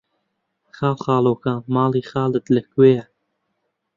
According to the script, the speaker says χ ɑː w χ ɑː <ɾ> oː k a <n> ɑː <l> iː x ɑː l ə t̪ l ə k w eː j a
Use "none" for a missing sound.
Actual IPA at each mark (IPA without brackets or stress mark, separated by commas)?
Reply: l, m, l